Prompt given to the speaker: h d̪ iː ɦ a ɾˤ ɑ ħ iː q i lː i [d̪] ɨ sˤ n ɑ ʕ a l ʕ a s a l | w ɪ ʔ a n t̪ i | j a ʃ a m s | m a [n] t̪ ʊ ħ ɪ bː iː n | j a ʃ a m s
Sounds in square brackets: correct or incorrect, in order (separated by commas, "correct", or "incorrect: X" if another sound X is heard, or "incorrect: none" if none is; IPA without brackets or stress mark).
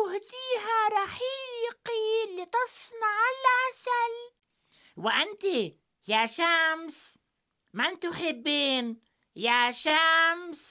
incorrect: t̪, correct